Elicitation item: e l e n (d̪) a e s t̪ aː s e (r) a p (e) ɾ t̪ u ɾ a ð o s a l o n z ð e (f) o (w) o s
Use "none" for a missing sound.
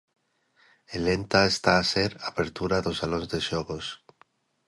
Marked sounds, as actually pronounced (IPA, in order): t̪, ɾ, e, ʃ, ɣ

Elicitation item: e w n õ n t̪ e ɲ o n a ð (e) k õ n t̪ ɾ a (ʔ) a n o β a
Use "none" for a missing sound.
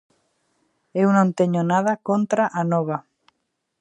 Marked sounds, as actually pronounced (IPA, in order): a, ʔ

